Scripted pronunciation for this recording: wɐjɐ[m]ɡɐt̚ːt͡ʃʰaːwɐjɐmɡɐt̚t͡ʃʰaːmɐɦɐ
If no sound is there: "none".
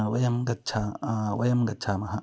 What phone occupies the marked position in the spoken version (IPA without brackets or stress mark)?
m